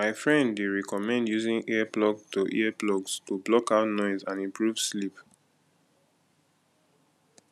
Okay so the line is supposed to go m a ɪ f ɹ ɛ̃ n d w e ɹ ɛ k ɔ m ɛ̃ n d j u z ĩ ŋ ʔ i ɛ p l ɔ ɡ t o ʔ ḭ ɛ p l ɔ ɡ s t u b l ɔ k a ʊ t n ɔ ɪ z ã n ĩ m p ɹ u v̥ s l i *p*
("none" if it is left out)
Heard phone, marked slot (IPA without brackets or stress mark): p